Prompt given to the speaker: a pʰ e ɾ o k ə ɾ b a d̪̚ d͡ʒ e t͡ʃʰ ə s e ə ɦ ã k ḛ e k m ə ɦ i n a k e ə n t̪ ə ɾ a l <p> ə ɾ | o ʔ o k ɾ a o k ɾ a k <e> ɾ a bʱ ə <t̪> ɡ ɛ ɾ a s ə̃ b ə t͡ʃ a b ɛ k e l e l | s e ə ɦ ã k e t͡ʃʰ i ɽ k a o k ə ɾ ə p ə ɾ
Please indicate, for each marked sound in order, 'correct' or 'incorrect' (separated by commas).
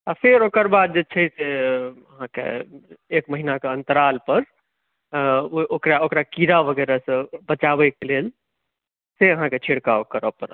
correct, incorrect, incorrect